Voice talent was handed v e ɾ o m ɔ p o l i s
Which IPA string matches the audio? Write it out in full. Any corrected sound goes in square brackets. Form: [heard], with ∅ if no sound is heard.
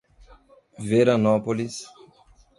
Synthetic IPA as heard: v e ɾ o [n] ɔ p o l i s